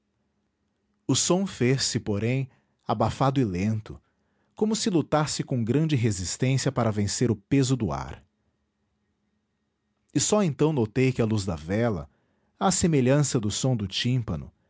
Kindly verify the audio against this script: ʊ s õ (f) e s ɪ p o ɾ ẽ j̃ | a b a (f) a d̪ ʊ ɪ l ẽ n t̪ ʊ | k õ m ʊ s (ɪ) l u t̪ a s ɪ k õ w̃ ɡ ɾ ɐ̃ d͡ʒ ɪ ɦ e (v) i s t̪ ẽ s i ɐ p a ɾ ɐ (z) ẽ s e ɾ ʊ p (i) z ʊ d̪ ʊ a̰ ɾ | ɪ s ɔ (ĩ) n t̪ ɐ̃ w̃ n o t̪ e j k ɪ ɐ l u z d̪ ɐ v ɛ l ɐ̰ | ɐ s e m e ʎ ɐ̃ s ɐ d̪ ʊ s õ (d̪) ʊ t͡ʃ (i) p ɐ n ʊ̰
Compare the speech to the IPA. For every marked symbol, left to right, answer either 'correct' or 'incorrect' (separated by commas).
correct, correct, correct, incorrect, incorrect, incorrect, incorrect, correct, incorrect